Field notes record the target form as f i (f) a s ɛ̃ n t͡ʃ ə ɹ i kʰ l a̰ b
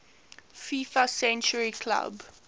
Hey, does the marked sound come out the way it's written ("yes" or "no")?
yes